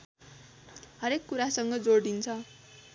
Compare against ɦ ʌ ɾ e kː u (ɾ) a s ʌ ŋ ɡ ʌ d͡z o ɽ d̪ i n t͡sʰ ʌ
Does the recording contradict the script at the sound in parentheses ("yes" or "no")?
no